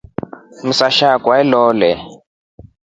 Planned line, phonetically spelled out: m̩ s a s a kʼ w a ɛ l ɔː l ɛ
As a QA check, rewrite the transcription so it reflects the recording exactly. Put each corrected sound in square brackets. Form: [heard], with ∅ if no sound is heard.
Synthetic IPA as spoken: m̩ s a [ʃ] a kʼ w a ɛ l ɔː l ɛ